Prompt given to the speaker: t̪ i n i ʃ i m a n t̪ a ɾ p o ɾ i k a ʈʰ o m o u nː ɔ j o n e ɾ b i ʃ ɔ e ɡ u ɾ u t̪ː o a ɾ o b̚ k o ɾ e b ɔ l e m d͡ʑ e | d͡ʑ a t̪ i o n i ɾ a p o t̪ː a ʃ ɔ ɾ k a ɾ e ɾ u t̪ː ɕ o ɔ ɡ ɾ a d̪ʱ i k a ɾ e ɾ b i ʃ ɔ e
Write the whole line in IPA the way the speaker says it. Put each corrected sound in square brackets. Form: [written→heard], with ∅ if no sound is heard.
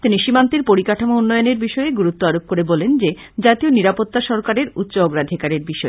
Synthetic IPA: t̪ i n i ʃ i m a n t̪ [a→i] ɾ p o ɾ i k a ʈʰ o m o u nː ɔ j o n e ɾ b i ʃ ɔ e ɡ u ɾ u t̪ː o a ɾ o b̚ k o ɾ e b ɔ l e [m→n] d͡ʑ e | d͡ʑ a t̪ i o n i ɾ a p o t̪ː a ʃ ɔ ɾ k a ɾ e ɾ u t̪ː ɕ o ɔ ɡ ɾ a d̪ʱ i k a ɾ e ɾ b i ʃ ɔ e